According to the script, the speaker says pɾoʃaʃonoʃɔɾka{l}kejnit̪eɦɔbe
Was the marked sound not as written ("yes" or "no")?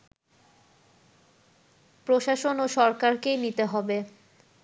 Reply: yes